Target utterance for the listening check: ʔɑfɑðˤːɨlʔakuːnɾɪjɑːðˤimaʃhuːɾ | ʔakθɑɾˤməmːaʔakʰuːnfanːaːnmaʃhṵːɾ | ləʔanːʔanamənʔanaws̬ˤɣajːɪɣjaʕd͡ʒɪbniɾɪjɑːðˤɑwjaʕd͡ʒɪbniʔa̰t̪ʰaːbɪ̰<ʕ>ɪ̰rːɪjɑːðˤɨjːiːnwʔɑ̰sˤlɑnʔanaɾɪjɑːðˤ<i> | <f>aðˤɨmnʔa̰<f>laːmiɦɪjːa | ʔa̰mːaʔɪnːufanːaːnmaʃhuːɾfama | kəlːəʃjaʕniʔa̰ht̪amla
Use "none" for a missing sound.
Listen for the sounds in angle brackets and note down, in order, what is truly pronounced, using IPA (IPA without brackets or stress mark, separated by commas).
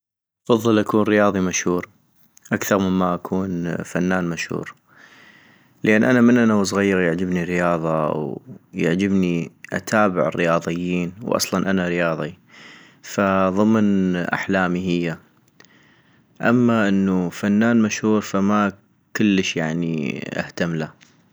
ʕ, i, f, ħ